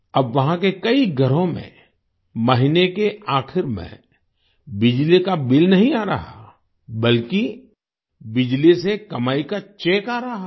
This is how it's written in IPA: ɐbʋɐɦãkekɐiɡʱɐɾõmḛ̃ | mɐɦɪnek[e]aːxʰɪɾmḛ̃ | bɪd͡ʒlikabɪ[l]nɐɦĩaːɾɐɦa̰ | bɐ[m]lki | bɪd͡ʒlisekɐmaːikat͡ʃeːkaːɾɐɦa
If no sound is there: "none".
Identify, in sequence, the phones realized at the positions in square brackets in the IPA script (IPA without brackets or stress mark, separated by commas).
e, l, none